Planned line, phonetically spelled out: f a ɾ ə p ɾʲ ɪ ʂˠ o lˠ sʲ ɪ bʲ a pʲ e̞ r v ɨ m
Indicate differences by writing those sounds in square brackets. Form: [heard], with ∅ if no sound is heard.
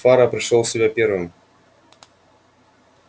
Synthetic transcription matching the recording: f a ɾ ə p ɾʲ ɪ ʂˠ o lˠ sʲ ɪ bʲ a pʲ e̞ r v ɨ m